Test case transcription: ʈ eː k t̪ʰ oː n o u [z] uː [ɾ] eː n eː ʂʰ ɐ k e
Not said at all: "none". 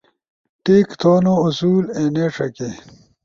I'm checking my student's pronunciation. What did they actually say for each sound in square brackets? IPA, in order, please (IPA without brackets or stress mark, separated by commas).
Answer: s, l